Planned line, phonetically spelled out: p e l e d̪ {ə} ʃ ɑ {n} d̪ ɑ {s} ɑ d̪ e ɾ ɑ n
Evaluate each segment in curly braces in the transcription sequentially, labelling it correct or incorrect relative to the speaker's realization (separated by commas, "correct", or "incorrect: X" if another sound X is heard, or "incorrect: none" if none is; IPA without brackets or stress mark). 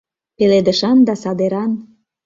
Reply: correct, correct, correct